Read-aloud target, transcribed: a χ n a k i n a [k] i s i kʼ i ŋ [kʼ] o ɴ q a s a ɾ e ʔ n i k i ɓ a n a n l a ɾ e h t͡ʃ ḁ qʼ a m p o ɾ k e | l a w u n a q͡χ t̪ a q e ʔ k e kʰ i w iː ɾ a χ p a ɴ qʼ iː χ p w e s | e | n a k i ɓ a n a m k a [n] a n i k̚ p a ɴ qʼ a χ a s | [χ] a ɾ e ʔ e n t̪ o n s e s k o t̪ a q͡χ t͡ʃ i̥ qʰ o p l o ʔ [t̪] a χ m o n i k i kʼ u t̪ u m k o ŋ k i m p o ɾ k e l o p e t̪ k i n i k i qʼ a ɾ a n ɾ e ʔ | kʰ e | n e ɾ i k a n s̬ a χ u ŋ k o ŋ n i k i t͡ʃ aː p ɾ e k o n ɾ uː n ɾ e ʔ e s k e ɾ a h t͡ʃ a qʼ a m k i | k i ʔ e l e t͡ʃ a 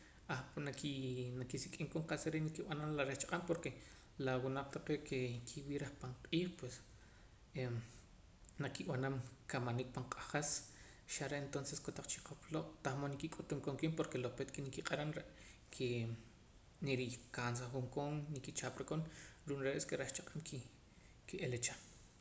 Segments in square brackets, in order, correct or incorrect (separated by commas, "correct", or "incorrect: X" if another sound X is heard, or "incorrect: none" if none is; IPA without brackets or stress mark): correct, incorrect: k, incorrect: m, incorrect: ʃ, correct